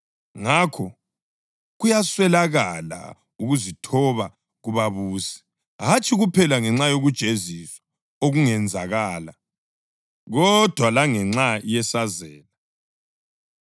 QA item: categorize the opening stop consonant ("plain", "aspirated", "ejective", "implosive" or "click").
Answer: aspirated